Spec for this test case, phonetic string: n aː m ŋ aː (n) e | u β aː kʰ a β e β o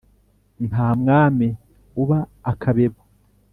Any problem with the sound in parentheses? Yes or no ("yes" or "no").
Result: yes